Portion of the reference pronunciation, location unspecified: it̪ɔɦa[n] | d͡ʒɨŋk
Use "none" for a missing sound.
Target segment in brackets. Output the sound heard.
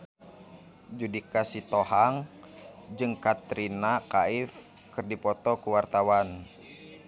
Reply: ŋ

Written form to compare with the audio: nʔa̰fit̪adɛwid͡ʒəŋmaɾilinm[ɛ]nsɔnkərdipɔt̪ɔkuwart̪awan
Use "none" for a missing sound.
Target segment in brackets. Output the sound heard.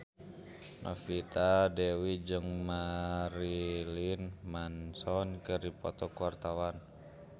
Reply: a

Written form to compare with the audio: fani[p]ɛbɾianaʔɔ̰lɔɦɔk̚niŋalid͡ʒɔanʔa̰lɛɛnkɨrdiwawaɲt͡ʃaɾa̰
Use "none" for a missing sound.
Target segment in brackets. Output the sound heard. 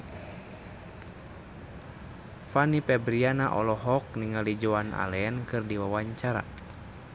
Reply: p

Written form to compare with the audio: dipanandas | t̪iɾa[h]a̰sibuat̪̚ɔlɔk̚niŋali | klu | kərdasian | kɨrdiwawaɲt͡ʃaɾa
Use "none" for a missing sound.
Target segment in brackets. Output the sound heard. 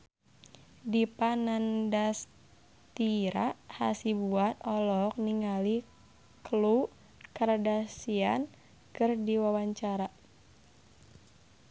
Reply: h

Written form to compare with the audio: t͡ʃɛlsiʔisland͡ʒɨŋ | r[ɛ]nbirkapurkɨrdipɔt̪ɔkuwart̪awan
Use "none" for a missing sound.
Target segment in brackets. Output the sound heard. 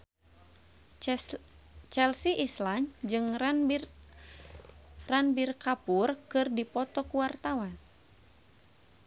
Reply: a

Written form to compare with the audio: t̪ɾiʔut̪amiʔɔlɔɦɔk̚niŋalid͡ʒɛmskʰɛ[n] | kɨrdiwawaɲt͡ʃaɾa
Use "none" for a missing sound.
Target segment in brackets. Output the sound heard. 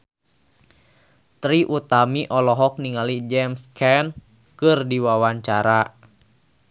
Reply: n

